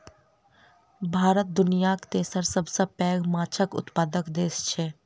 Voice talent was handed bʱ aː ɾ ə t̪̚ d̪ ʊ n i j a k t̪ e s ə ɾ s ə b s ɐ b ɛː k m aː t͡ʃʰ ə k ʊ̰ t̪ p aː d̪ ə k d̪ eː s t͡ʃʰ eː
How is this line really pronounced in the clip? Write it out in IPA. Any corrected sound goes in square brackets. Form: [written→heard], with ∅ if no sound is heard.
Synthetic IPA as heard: bʱ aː ɾ ə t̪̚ d̪ ʊ n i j a k t̪ e s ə ɾ s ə b s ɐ [b→p] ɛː [k→ɡ] m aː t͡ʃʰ ə k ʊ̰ t̪ p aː d̪ ə k d̪ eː s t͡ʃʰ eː